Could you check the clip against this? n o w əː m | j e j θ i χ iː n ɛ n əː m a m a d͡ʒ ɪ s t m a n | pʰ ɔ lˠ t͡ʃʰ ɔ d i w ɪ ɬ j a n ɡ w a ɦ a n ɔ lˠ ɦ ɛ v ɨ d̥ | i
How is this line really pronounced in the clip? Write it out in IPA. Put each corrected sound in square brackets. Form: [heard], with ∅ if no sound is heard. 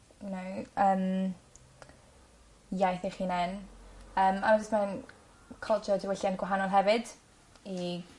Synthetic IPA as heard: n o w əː m | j [a] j θ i χ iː n ɛ n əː m a m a d͡ʒ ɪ s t m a n | [kʰ] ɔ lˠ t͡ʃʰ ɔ d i w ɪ ɬ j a n ɡ w a ɦ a n ɔ lˠ ɦ ɛ v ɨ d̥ | i

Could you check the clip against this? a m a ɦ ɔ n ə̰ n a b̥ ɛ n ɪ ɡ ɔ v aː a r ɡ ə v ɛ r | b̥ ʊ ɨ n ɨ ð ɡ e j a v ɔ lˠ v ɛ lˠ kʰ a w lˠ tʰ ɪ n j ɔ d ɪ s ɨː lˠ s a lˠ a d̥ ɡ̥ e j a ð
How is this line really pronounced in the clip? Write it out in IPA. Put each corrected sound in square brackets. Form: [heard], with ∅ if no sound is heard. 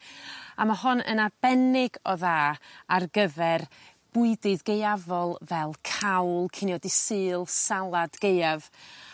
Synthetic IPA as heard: a m a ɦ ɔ n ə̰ n a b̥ ɛ n ɪ ɡ ɔ [ð] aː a r ɡ ə v ɛ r | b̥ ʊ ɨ [d] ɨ ð ɡ e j a v ɔ lˠ v ɛ lˠ kʰ a w lˠ [kʰ] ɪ n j ɔ d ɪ s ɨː lˠ s a lˠ a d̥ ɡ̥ e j a [v]

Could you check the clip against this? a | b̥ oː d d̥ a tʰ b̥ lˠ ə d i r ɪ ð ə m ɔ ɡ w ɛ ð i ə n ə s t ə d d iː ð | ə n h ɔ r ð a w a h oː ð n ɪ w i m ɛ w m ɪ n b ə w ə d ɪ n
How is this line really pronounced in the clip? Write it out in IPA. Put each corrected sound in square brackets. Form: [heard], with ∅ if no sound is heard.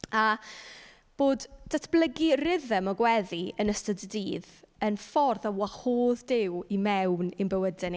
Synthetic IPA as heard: a | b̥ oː d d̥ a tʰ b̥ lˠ ə [ɡ] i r ɪ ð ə m ɔ ɡ w ɛ ð i ə n ə s t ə d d iː ð | ə n [f] ɔ r ð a w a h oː ð [d] ɪ w i m ɛ w [n] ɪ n b ə w ə d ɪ n

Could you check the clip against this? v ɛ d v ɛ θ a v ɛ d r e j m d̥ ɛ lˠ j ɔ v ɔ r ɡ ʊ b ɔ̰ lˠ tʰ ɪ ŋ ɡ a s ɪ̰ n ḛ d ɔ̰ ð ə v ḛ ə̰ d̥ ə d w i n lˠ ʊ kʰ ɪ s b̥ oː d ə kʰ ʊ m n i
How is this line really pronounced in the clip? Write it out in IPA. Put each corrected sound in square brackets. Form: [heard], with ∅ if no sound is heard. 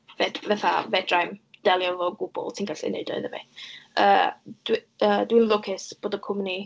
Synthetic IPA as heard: v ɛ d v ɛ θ a v ɛ d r [a] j m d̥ ɛ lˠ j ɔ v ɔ [∅] ɡ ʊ b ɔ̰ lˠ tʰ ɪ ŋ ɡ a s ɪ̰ n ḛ d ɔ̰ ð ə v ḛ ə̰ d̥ ə d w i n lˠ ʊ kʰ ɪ s b̥ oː d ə kʰ ʊ m n i

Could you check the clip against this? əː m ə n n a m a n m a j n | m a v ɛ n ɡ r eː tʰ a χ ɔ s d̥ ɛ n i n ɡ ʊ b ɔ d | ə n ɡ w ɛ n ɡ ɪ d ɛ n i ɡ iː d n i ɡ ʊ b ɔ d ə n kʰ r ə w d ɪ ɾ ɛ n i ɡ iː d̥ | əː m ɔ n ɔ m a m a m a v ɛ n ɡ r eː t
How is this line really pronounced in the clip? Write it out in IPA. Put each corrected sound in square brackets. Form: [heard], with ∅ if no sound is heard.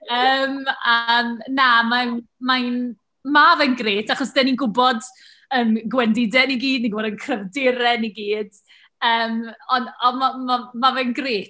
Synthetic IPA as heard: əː m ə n n a m a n m a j n | m a v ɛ n ɡ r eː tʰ a χ ɔ s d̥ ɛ n i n ɡ ʊ b ɔ d | ə n ɡ w ɛ n [d] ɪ d ɛ n i ɡ iː d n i ɡ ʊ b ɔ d ə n kʰ r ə [v] d ɪ ɾ ɛ n i ɡ iː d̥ | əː m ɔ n ɔ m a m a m a v ɛ n ɡ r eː t

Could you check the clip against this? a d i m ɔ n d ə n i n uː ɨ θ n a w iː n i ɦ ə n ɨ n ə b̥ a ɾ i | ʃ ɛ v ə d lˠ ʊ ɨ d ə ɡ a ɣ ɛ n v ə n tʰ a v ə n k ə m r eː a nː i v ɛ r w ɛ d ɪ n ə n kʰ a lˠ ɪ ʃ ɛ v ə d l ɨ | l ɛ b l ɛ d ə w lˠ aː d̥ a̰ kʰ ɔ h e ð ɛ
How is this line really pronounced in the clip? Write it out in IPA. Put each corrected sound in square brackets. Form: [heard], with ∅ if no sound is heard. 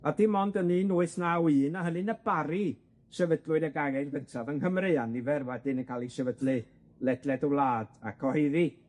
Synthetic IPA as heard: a d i m ɔ n d ə n i n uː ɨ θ n a w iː n [a] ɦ ə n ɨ n ə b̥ a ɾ i | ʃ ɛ v ə d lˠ ʊ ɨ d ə ɡ a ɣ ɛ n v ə n tʰ a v ə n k ə m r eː a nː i v ɛ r w ɛ d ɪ n ə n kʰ a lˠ [i] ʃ ɛ v ə d l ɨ | l ɛ [d] l ɛ d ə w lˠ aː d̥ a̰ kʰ ɔ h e ð [i]

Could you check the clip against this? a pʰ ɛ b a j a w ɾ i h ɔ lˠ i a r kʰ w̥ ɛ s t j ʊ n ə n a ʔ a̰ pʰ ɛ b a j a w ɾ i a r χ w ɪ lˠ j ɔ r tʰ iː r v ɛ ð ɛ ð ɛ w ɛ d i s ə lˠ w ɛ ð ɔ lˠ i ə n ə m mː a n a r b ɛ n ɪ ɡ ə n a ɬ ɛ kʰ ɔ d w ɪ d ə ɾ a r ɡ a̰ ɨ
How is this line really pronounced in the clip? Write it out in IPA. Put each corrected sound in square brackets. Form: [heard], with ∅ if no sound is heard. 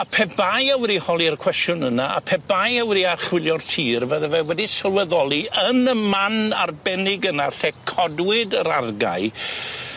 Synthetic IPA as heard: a pʰ ɛ b a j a w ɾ i h ɔ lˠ i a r kʰ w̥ ɛ s t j ʊ n ə n a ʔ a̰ pʰ ɛ b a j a w ɾ i a r χ w ɪ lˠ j ɔ r tʰ iː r v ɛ ð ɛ [v] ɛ w ɛ d i s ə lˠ w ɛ ð ɔ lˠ i ə n ə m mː a n a r b ɛ n ɪ ɡ ə n a ɬ ɛ kʰ ɔ d w ɪ d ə ɾ a r ɡ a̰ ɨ

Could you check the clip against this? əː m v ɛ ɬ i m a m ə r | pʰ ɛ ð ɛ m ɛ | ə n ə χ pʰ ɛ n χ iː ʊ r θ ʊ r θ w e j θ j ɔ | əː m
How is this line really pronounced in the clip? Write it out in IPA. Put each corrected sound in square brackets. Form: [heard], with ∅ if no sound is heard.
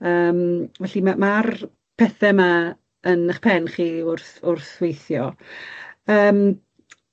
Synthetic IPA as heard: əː m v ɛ ɬ i m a m [a] r | pʰ ɛ [θ] ɛ m [a] | ə n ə χ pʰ ɛ n χ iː ʊ r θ ʊ r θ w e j θ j ɔ | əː m

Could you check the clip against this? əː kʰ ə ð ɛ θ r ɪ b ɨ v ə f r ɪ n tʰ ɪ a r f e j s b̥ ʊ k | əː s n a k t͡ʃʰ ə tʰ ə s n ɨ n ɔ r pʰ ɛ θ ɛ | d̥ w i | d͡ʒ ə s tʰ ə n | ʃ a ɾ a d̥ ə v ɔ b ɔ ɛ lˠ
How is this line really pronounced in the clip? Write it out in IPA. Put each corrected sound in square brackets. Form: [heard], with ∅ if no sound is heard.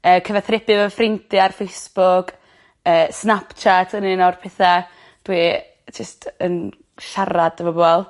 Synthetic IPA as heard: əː kʰ ə [v] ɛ θ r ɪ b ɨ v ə f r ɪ n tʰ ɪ a r f e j s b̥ ʊ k | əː s n a [p] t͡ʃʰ [a] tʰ ə [∅] n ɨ n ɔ r pʰ ɛ θ [a] | d̥ w i | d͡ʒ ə s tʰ ə n | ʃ a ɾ a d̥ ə v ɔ b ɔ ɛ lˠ

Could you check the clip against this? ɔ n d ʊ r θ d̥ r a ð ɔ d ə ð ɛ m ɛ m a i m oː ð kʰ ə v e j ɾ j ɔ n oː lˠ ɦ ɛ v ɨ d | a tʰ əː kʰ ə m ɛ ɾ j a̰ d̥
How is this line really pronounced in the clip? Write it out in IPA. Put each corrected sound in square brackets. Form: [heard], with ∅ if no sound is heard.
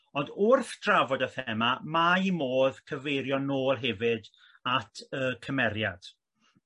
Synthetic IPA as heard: ɔ n d ʊ r θ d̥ r a [v] ɔ d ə [θ] ɛ m [a] m a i m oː ð kʰ ə v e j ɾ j ɔ n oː lˠ ɦ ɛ v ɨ d | a tʰ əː kʰ ə m ɛ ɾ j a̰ d̥

